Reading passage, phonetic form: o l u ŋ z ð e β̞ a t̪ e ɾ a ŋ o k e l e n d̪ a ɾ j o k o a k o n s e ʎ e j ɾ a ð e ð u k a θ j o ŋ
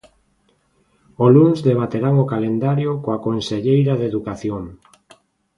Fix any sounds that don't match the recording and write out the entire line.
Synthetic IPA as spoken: o l u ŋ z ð e β̞ a t̪ e ɾ a ŋ o k a l e n d̪ a ɾ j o k o a k o n s e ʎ e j ɾ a ð e ð u k a θ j o ŋ